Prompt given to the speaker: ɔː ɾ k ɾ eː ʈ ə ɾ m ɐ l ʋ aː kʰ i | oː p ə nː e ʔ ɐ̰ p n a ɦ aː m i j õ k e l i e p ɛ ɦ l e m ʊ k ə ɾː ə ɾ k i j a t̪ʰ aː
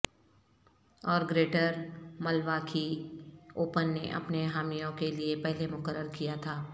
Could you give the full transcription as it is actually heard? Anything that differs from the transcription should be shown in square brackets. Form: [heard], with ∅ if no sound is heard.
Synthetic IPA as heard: ɔː ɾ [ɡ] ɾ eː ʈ ə ɾ m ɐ l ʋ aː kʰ i | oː p ə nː e ʔ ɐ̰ p n [e] ɦ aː m i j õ k e l i e p ɛ ɦ l e m ʊ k ə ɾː ə ɾ k i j a t̪ʰ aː

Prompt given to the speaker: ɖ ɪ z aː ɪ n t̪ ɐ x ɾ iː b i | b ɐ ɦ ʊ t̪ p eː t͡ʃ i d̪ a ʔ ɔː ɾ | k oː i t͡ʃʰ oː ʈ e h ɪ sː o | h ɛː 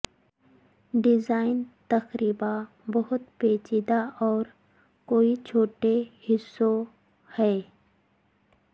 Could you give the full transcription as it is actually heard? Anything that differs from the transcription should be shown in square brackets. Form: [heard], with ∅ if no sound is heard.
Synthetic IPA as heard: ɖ ɪ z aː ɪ n t̪ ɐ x ɾ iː b [a] | b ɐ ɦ ʊ t̪ p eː t͡ʃ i d̪ a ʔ ɔː ɾ | k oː i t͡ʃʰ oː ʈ e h ɪ sː o | h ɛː

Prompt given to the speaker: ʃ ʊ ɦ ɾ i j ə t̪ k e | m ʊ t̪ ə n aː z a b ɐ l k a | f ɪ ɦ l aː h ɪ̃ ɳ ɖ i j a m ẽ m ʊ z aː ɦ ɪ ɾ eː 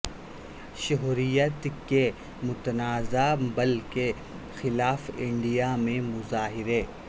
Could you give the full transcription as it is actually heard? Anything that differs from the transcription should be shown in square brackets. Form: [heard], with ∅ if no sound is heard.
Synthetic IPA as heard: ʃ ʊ ɦ ɾ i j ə t̪ k e | m ʊ t̪ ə n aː z a b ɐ l k [e] | [x] ɪ [∅] l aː [f] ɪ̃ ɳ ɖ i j a m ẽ m ʊ z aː ɦ ɪ ɾ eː

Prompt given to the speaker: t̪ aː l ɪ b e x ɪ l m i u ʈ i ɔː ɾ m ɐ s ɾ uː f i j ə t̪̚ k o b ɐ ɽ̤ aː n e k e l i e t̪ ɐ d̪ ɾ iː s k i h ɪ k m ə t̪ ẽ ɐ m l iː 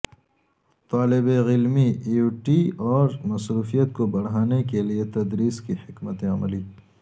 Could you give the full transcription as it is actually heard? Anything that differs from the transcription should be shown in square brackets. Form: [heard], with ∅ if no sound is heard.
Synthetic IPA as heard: t̪ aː l ɪ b e [ɣ] ɪ l m i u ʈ i ɔː ɾ m ɐ s ɾ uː f i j ə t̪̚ k o b ɐ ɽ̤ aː n e k e l i e t̪ ɐ d̪ ɾ iː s k i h ɪ k m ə t̪ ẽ ɐ m l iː

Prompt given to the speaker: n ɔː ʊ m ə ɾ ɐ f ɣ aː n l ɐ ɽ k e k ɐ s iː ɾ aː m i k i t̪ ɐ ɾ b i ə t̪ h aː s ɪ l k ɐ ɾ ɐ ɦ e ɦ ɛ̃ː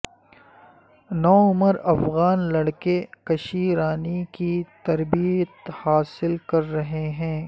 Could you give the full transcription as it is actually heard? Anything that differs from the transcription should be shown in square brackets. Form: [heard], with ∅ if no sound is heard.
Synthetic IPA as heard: n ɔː ʊ m ə ɾ ɐ f ɣ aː n l ɐ ɽ k e k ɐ [ʃ] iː ɾ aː [n] i k i t̪ ɐ ɾ b i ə t̪ h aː s ɪ l k ɐ [ɾː] ɐ ɦ e ɦ ɛ̃ː

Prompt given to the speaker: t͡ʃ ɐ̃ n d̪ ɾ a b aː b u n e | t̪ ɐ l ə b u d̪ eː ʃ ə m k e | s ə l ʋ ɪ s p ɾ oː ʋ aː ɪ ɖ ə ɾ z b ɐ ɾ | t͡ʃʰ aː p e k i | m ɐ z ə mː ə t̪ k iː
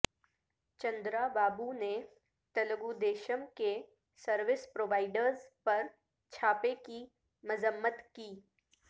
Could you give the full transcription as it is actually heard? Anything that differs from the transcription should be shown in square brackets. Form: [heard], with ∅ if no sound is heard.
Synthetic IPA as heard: t͡ʃ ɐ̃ n d̪ ɾ a b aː b u n e | t̪ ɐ l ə [ɡ] u d̪ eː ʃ ə m k e | s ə [ɾ] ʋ ɪ s p ɾ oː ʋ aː ɪ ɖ ə ɾ z [p] ɐ ɾ | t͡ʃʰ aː p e k i | m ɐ z ə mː ə t̪ k iː

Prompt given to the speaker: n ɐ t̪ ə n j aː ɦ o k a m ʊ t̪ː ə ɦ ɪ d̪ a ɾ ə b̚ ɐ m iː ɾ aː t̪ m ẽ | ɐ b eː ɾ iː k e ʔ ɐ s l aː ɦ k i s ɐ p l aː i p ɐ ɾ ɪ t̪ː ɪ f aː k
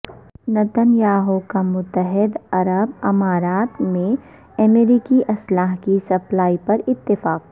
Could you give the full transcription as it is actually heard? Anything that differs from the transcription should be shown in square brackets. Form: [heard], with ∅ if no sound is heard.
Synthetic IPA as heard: n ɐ t̪ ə n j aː ɦ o k a m ʊ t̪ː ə ɦ ɪ d̪ [ɐ] ɾ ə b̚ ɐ m [aː] ɾ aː t̪ m ẽ | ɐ [m] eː ɾ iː k [i] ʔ ɐ s l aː ɦ k i s ɐ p l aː i p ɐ ɾ ɪ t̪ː ɪ f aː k

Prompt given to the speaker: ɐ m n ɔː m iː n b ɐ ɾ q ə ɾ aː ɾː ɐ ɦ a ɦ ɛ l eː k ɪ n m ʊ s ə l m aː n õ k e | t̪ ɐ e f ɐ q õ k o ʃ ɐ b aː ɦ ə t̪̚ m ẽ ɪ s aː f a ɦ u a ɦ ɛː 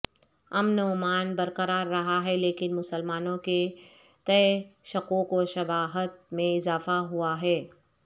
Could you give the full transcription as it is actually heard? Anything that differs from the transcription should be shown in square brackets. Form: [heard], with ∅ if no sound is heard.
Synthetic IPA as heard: ɐ m n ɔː m [aː] n b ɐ ɾ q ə ɾ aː ɾː ɐ ɦ a ɦ ɛ l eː k ɪ n m ʊ s ə l m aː n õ k e | t̪ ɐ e [ʃ] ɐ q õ k o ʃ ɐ b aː ɦ ə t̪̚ m ẽ ɪ [z] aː f a ɦ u a ɦ ɛː

